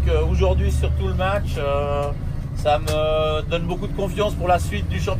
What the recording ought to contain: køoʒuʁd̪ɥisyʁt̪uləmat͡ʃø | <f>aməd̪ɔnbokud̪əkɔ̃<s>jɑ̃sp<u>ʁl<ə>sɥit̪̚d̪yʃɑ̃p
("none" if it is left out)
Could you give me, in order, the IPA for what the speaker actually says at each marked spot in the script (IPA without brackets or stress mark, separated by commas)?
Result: s, f, u, a